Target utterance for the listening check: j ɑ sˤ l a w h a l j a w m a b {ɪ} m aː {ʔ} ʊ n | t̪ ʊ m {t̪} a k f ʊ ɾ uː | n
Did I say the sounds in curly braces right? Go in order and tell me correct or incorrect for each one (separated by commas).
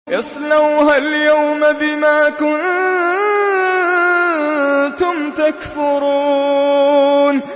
correct, incorrect, correct